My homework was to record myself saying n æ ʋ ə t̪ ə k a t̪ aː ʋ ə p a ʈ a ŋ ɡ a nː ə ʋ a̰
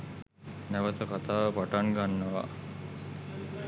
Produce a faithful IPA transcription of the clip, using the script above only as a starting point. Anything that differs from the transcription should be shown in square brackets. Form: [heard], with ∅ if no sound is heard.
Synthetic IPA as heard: n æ ʋ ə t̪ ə k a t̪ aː ʋ ə p a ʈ a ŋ ɡ a nː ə ʋ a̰